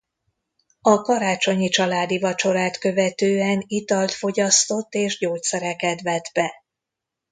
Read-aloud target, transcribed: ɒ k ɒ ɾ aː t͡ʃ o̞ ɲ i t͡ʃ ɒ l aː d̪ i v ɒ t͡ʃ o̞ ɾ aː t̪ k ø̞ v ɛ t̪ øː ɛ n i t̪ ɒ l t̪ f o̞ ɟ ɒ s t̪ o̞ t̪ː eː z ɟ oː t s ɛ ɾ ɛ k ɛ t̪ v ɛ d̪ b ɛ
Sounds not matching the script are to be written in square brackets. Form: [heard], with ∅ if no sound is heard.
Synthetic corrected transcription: ɒ k ɒ ɾ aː t͡ʃ o̞ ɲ i t͡ʃ ɒ l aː d̪ i v ɒ t͡ʃ o̞ ɾ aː t̪ k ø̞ v ɛ t̪ øː ɛ n i t̪ ɒ l t̪ f o̞ ɟ ɒ s t̪ o̞ t̪ː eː [ʒ] ɟ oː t s ɛ ɾ ɛ k ɛ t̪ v ɛ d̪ b ɛ